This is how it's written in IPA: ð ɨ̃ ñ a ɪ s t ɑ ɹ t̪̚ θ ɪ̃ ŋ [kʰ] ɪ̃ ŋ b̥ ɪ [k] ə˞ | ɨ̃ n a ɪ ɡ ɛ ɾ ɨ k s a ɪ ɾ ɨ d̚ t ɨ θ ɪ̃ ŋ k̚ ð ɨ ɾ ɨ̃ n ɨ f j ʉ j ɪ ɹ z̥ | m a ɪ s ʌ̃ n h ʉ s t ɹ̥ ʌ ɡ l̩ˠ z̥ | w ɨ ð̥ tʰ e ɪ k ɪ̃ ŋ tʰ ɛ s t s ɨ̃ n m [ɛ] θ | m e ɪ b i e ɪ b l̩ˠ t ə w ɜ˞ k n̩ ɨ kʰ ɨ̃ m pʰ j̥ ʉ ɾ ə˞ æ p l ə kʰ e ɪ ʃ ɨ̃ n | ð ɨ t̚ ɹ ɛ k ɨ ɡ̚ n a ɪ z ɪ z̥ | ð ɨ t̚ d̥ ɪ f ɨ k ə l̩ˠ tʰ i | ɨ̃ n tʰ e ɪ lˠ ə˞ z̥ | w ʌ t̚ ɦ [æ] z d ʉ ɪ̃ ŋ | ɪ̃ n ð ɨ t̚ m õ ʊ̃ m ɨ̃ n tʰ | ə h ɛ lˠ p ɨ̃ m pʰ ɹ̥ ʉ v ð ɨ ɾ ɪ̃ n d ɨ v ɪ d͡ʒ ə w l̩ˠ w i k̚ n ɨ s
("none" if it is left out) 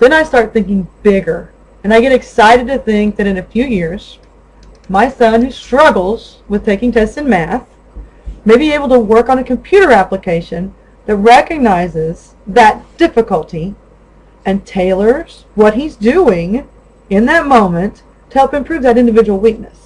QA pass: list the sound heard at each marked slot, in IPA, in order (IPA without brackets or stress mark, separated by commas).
k, ɡ, æ, i